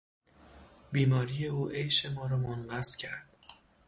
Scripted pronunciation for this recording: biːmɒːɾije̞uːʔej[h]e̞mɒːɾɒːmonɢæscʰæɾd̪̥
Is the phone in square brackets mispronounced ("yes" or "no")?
yes